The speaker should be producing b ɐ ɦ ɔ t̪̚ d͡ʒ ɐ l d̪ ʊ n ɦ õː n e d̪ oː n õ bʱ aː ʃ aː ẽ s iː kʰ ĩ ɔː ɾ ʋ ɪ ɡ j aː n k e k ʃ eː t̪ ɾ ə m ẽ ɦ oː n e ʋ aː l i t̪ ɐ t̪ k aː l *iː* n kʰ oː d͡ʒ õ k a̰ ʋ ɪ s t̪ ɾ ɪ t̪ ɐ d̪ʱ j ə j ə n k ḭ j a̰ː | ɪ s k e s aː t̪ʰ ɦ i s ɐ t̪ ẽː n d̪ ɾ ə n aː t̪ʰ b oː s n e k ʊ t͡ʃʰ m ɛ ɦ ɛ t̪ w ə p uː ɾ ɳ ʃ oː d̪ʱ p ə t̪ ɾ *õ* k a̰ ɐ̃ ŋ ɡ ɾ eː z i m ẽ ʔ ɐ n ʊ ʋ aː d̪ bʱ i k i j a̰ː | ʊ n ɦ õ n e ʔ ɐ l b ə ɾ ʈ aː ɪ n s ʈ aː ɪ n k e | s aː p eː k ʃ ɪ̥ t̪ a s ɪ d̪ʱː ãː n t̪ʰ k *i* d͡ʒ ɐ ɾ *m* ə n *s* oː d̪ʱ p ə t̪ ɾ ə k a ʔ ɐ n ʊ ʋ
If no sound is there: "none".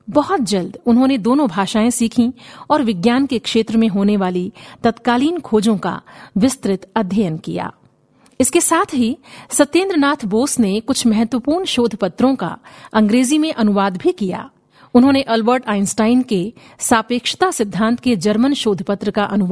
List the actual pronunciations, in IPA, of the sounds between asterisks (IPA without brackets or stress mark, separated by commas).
iː, õ, e, m, ʃ